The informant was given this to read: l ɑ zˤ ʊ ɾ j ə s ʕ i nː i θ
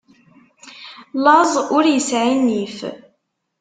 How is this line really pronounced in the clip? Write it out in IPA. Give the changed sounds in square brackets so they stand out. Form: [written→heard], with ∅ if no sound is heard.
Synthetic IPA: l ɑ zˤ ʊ ɾ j ə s ʕ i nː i [θ→f]